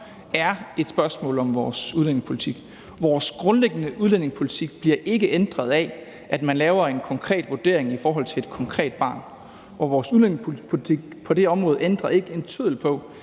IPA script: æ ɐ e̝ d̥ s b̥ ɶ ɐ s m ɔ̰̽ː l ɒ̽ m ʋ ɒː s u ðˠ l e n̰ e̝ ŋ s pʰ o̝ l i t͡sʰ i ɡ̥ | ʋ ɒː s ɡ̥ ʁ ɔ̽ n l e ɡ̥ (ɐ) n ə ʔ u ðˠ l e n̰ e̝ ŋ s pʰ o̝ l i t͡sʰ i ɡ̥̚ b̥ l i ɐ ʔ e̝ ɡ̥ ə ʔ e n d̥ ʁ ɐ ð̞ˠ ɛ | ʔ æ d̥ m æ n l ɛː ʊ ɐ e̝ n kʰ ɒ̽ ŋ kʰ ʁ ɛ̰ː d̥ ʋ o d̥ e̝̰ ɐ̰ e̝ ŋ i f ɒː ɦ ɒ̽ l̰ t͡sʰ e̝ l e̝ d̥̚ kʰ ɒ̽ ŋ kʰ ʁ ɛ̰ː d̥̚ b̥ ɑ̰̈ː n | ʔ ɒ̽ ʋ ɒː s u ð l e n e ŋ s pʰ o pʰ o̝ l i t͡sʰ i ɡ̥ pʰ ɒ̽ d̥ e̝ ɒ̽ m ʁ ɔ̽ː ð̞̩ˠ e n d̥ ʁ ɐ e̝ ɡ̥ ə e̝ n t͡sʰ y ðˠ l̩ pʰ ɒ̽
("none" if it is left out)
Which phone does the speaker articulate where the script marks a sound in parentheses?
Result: ə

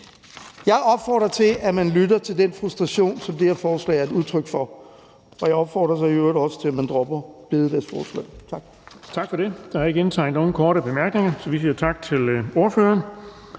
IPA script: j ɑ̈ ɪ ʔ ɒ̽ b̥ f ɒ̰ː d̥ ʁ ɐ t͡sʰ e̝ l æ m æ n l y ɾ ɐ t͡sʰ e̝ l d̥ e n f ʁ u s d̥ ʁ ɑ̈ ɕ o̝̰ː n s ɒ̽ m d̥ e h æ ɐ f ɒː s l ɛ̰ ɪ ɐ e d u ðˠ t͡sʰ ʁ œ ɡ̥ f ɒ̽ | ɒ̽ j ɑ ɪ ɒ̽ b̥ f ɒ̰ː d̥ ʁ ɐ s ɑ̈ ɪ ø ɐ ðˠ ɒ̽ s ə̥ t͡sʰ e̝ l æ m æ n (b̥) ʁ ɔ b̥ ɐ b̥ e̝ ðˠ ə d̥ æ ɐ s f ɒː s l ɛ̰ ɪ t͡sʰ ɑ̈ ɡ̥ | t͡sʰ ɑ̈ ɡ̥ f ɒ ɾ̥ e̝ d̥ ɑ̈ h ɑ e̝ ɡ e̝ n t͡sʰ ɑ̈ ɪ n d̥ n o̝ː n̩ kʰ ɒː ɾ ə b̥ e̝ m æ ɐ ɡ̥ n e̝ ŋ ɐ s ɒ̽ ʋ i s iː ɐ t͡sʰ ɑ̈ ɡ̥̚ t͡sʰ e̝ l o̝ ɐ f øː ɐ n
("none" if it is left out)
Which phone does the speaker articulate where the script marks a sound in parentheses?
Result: d̥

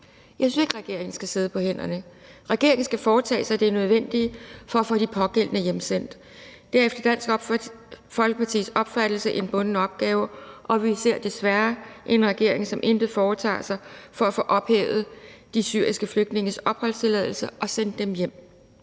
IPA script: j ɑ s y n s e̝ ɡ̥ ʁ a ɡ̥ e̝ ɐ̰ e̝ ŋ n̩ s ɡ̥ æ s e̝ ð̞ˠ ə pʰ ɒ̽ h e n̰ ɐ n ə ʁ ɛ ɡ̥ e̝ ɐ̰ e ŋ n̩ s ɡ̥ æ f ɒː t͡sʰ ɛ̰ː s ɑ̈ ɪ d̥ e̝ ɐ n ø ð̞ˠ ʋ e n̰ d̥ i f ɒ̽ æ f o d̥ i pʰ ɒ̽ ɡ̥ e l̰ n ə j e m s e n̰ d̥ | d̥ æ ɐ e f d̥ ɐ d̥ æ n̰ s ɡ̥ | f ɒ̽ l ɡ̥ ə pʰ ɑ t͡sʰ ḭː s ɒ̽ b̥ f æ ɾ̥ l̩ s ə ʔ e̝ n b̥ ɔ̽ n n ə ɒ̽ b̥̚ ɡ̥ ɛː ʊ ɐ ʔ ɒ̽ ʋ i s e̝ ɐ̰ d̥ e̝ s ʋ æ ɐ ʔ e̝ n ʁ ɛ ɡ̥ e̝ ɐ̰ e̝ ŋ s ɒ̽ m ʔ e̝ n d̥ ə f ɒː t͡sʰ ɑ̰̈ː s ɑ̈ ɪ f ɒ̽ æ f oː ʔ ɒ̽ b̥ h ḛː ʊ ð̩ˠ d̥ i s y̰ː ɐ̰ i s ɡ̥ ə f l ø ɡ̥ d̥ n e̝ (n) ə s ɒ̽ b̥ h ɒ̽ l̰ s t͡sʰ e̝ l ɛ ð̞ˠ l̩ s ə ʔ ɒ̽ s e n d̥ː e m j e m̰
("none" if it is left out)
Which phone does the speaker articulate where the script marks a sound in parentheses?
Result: ŋ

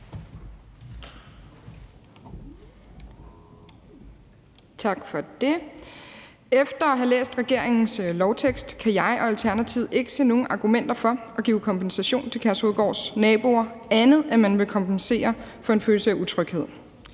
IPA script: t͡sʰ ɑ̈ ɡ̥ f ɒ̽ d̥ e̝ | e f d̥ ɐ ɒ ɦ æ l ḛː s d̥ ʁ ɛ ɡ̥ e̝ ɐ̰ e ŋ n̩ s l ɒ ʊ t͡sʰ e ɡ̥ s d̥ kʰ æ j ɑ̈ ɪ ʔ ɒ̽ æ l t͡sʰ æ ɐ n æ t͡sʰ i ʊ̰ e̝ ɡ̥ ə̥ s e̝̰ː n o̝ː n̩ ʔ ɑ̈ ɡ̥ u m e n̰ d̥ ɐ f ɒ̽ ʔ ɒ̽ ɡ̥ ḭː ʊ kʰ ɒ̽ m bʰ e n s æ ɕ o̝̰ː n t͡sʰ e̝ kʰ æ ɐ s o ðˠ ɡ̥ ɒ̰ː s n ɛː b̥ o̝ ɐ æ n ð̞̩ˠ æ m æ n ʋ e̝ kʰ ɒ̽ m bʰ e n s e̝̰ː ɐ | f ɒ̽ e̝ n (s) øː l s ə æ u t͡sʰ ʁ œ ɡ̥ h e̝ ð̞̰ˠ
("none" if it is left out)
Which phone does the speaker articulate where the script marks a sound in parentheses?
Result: f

